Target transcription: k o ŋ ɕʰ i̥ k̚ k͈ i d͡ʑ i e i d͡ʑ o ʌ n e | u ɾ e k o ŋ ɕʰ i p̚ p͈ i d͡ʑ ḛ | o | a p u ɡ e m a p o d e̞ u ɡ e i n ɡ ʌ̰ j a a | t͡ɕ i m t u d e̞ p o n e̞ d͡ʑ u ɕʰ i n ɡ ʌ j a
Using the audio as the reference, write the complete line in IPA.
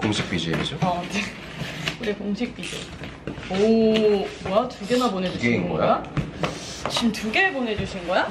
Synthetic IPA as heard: k o ŋ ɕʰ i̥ k̚ p͈ i d͡ʑ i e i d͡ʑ o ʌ n e | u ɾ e k o ŋ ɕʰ i k̚ p͈ i d͡ʑ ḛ | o | a t u ɡ e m a p o n e̞ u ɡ e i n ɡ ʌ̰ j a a | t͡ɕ i m t u ɡ e̞ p o n e̞ d͡ʑ u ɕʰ i n ɡ ʌ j a